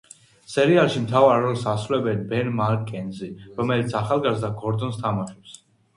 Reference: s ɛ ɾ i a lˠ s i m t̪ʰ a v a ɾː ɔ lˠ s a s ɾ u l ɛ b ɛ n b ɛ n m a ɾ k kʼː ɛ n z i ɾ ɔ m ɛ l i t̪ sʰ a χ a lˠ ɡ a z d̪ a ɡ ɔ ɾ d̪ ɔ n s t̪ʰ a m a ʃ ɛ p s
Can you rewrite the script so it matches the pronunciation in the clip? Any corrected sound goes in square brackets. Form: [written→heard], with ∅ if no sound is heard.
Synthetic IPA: s ɛ ɾ i a lˠ [s→ʃ] i m t̪ʰ a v a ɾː ɔ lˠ s a s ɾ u l ɛ b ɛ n b ɛ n m a ɾ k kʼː ɛ n z i ɾ ɔ m ɛ l i t̪ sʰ a χ a lˠ ɡ a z d̪ a ɡ ɔ ɾ d̪ ɔ n s t̪ʰ a m a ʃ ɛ p s